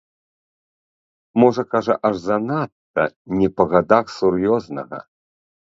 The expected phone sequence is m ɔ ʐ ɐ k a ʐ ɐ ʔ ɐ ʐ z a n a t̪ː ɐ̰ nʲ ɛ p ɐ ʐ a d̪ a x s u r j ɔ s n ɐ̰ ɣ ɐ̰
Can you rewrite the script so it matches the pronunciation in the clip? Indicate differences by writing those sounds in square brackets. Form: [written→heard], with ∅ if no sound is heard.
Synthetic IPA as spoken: m ɔ ʐ ɐ k a ʐ ɐ ʔ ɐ ʐ z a n a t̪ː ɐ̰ nʲ ɛ p ɐ [ʐ→ɣ] a d̪ a x s u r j ɔ [s→z] n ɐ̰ ɣ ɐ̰